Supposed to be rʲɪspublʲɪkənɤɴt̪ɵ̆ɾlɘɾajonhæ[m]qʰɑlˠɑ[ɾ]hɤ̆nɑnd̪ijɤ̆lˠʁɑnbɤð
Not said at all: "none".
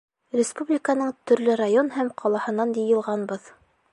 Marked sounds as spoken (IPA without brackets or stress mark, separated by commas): m, none